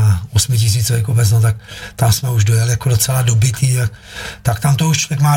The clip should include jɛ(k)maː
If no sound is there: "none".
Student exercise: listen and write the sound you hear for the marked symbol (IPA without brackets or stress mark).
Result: k